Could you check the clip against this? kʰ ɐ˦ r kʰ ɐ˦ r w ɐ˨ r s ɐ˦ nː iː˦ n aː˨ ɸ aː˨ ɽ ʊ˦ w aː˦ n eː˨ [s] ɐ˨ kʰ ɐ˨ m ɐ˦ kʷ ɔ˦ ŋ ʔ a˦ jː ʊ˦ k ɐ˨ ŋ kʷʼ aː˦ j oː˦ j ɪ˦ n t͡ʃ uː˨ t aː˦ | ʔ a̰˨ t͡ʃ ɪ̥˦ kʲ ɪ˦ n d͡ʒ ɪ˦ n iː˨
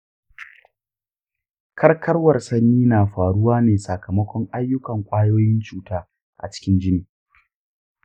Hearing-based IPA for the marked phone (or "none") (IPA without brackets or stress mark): s